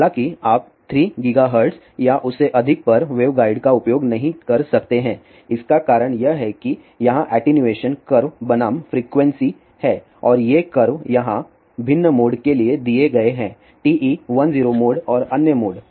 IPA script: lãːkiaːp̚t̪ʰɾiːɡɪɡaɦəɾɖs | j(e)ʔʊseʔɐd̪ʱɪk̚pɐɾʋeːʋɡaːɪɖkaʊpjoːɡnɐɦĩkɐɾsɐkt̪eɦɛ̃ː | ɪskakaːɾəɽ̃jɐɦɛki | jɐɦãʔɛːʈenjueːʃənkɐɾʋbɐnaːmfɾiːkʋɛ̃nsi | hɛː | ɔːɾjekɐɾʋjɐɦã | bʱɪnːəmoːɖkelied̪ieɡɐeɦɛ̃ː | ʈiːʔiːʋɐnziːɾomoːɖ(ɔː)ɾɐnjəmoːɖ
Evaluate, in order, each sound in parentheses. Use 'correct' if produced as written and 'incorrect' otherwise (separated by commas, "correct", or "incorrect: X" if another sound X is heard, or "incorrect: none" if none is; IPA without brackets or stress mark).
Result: incorrect: a, correct